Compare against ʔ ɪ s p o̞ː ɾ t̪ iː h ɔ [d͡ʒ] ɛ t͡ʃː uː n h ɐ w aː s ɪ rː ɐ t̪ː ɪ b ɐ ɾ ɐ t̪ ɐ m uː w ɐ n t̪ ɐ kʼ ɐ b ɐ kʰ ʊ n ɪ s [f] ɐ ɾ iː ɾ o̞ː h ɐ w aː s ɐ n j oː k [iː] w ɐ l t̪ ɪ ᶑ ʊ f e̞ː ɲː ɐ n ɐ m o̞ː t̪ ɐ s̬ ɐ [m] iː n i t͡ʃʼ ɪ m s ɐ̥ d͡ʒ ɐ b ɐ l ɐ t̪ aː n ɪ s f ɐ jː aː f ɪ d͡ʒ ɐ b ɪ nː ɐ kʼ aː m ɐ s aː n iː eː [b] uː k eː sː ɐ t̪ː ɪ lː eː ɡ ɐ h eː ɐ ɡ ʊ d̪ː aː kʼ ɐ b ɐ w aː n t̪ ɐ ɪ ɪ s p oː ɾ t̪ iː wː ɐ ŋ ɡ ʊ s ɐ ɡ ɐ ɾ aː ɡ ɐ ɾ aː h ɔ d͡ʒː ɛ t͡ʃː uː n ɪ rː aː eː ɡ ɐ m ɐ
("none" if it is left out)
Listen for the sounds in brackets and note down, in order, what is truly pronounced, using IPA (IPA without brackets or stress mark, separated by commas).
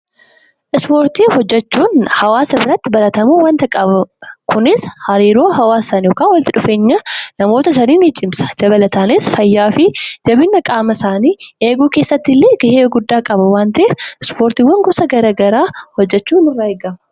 d͡ʒː, h, aː, n, ɡ